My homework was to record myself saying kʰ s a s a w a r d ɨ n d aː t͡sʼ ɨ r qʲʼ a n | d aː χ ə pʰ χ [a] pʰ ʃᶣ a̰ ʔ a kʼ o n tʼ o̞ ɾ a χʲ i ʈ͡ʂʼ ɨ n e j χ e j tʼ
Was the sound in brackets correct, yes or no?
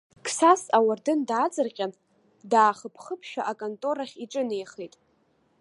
no